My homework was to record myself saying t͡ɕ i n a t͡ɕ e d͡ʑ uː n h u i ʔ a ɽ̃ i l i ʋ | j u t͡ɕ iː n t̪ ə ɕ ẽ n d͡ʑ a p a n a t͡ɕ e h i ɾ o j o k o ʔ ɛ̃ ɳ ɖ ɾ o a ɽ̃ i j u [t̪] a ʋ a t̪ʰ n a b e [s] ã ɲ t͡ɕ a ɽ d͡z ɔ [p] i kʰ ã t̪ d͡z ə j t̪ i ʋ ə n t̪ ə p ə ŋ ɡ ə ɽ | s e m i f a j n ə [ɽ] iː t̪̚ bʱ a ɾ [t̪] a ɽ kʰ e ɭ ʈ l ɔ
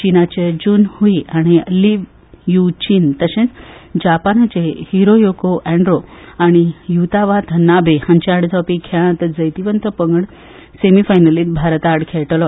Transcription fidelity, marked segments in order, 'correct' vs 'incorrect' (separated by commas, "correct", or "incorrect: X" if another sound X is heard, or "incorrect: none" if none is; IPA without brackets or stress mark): correct, incorrect: h, correct, incorrect: l, correct